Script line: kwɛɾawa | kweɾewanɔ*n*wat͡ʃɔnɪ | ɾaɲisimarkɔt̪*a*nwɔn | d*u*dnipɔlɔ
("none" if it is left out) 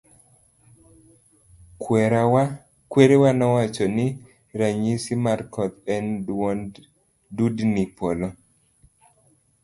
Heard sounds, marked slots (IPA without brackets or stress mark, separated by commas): none, ɛ, u